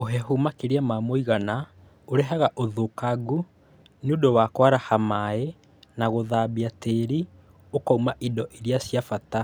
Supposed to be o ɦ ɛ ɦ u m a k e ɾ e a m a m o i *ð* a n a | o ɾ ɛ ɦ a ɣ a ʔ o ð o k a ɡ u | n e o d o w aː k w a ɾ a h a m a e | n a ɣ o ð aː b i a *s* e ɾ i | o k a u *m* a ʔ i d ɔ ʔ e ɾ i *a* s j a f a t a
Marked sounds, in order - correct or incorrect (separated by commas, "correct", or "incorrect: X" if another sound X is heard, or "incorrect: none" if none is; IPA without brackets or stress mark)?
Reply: incorrect: ɣ, incorrect: t, correct, correct